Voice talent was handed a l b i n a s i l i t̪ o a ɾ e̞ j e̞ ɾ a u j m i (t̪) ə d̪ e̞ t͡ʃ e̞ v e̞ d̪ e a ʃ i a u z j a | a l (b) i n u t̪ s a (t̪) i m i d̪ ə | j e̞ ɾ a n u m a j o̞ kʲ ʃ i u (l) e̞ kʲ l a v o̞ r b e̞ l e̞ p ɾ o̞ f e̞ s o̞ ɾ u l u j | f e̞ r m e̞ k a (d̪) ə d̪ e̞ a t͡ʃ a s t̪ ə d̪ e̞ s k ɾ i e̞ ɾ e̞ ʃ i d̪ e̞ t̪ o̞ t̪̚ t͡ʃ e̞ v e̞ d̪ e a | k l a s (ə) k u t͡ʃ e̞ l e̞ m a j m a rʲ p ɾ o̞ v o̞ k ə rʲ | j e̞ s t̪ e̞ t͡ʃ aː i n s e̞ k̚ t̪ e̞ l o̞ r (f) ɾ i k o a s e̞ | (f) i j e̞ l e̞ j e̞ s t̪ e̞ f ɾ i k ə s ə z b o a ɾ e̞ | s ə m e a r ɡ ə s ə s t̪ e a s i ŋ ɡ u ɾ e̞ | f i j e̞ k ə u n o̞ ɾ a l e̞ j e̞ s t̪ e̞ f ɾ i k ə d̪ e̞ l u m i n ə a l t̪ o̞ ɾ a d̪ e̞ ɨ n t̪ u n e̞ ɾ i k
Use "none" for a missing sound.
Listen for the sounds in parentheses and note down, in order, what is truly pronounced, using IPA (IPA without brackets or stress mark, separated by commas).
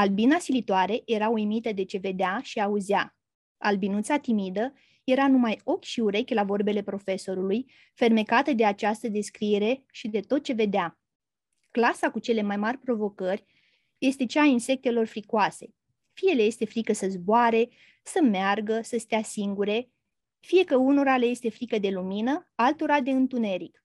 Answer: t̪, b, t̪, ɾ, t̪, a, f, f